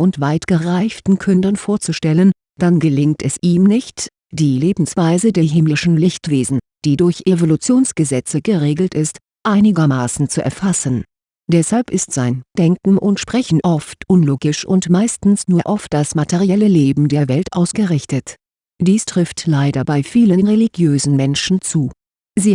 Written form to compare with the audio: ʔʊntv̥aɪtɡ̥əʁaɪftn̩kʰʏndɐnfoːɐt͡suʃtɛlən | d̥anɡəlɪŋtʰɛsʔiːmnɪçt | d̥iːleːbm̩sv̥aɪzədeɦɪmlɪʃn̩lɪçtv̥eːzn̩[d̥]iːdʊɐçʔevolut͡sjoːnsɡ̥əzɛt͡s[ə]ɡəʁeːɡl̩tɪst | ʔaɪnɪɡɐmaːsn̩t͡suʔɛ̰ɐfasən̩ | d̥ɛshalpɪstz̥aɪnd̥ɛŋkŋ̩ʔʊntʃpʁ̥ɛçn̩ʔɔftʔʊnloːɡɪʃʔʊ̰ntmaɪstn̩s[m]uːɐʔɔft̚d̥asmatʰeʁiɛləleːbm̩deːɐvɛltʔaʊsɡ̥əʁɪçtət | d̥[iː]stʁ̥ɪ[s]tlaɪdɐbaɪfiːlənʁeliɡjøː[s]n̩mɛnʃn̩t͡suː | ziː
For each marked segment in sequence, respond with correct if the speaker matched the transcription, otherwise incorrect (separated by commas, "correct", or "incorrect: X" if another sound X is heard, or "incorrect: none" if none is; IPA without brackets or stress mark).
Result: correct, correct, incorrect: n, correct, incorrect: f, incorrect: z